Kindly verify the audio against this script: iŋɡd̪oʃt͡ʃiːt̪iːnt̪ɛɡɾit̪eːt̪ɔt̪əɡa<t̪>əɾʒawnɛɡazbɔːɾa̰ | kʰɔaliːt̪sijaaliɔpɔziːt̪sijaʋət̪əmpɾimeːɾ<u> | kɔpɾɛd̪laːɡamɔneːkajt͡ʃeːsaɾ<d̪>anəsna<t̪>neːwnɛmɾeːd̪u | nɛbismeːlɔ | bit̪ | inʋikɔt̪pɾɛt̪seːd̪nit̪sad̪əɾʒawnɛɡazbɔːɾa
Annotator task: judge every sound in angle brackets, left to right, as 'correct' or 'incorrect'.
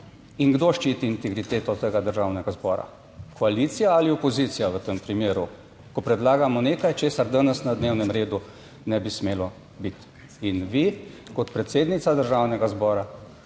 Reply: incorrect, correct, correct, incorrect

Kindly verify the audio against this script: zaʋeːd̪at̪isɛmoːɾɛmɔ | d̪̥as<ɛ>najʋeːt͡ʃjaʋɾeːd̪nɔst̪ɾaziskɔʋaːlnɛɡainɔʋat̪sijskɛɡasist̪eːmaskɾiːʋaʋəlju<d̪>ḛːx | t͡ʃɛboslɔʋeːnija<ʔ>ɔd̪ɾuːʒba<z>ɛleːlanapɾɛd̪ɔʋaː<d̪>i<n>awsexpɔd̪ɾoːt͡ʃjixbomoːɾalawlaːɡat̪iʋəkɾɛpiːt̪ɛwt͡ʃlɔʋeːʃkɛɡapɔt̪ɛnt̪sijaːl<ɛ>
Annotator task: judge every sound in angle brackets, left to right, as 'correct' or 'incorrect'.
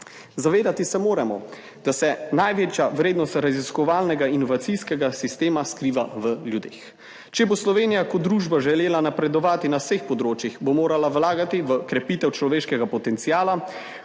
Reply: correct, correct, incorrect, incorrect, incorrect, correct, incorrect

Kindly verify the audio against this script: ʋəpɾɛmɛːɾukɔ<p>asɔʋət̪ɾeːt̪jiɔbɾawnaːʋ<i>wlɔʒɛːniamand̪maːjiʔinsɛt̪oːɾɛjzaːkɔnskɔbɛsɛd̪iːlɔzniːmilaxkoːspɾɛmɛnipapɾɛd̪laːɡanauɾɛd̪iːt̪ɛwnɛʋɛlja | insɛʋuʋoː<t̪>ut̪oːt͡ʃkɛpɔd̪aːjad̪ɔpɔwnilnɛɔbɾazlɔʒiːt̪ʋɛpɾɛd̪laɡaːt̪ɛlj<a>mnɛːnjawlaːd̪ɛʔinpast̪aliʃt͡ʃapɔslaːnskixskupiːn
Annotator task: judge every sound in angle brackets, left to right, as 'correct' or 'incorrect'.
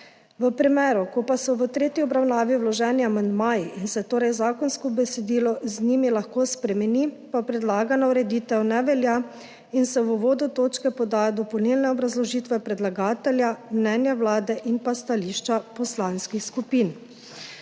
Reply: correct, correct, incorrect, correct

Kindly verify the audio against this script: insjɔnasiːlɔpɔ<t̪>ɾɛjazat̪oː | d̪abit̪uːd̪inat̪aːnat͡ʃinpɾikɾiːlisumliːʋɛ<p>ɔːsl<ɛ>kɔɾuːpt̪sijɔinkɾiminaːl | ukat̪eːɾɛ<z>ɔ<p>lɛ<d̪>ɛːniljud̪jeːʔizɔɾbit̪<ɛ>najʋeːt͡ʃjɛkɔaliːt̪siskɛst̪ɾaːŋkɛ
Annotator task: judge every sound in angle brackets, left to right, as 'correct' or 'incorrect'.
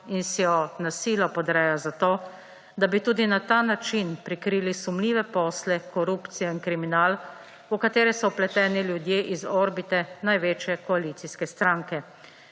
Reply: incorrect, correct, correct, incorrect, correct, incorrect, correct

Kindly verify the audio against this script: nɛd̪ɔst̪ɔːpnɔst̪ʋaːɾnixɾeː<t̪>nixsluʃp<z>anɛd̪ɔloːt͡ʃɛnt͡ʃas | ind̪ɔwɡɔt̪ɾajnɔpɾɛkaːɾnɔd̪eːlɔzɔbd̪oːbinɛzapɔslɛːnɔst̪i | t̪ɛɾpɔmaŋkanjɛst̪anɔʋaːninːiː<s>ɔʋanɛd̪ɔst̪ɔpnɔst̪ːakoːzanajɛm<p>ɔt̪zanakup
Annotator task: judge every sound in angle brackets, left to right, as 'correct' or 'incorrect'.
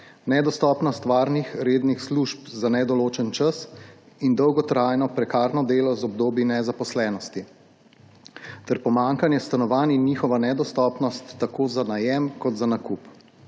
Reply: incorrect, correct, incorrect, incorrect

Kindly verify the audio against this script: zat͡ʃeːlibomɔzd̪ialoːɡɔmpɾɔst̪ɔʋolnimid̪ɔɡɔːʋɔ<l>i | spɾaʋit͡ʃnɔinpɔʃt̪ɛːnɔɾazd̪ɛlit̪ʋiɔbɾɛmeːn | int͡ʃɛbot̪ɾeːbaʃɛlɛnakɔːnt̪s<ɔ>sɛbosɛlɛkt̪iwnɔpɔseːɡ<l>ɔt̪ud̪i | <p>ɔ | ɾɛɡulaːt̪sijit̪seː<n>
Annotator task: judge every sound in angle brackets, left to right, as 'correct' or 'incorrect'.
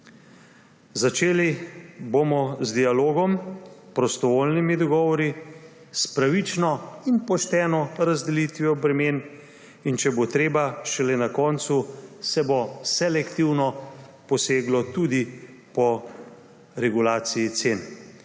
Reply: incorrect, incorrect, correct, correct, correct

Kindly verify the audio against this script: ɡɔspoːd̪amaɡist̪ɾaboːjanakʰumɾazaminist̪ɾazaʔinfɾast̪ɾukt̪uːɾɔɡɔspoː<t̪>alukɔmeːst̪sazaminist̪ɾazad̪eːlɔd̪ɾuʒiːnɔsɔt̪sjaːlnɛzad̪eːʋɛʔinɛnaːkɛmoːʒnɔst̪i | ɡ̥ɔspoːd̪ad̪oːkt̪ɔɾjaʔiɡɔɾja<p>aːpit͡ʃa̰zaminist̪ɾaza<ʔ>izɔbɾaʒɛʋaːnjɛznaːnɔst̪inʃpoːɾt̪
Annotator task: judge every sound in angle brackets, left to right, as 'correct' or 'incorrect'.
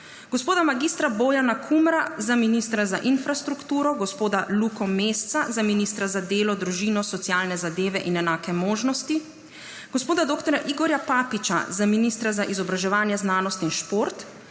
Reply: incorrect, correct, correct

